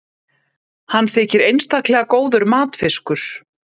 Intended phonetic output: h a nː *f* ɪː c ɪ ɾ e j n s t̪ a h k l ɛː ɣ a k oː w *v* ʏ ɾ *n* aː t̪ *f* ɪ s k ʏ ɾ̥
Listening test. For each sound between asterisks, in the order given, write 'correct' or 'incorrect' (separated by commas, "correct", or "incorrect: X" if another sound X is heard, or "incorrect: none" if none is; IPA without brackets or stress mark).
incorrect: θ, incorrect: ð, incorrect: m, correct